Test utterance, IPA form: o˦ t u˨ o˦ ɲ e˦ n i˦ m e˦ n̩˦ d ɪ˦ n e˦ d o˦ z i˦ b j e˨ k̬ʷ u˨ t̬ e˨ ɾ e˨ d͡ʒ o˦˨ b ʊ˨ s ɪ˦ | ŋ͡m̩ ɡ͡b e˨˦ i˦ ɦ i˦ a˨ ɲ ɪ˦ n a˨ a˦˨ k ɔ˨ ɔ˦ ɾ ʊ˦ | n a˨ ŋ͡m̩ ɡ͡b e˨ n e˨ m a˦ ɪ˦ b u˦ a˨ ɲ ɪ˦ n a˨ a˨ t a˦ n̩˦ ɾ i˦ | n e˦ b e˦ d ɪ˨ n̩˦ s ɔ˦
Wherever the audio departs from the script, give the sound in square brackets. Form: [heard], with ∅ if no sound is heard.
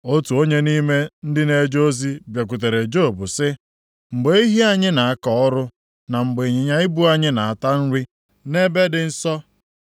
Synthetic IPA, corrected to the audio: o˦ t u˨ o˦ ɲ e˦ n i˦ m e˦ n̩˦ d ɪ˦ n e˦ [d͡ʒ] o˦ z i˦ b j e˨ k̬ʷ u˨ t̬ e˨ ɾ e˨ d͡ʒ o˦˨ b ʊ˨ s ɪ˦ | ŋ͡m̩ ɡ͡b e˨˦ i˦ ɦ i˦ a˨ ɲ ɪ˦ n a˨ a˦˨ k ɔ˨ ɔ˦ ɾ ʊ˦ | n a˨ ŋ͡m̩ ɡ͡b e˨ [ɲ] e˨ [ɲ] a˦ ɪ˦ b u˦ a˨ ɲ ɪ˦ n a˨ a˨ t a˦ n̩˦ ɾ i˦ | n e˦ b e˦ d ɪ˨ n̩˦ s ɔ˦